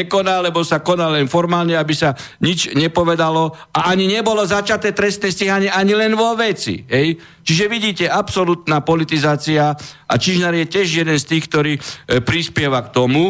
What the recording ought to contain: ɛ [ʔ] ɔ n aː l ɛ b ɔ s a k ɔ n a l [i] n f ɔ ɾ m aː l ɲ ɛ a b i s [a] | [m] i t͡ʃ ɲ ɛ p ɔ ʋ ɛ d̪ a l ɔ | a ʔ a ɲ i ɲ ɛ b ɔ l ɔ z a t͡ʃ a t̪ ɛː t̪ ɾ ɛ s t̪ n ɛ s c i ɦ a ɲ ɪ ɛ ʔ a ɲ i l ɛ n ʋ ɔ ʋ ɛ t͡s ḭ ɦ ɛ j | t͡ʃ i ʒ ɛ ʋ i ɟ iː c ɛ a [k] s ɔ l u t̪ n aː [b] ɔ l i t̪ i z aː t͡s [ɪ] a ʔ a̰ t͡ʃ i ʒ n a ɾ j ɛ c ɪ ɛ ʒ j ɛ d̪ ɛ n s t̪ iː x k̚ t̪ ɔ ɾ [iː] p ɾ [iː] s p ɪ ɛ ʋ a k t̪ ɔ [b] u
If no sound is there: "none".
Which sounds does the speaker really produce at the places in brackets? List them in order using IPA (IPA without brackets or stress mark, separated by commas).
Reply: k, ɛ, a, ɲ, p, p, i, iː, i, m